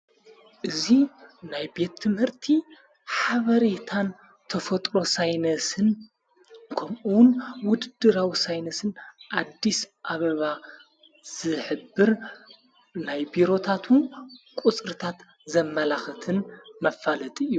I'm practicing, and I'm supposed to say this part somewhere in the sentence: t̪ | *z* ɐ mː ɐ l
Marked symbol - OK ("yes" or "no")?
yes